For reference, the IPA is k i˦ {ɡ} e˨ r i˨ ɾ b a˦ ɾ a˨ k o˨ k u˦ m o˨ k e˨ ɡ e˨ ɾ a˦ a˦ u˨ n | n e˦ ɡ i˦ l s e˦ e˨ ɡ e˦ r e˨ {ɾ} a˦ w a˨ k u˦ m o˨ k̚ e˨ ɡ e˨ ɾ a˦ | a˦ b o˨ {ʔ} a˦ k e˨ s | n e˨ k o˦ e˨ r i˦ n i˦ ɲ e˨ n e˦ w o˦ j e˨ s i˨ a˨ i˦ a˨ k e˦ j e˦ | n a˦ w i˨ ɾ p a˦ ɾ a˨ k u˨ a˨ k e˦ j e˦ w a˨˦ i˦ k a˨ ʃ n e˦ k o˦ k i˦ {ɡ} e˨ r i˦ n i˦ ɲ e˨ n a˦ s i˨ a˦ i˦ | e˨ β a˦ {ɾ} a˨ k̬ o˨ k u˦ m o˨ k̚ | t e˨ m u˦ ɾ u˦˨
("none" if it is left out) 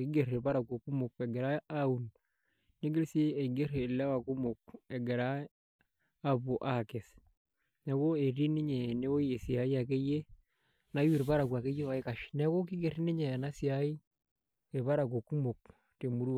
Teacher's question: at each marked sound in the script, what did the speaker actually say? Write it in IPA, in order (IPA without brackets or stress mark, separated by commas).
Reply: ɡ, l, ʔ, ɡ, ɾ